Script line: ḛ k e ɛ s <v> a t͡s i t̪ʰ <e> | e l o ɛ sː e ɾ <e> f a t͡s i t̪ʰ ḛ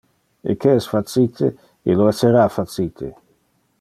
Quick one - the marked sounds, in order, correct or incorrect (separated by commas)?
incorrect, correct, incorrect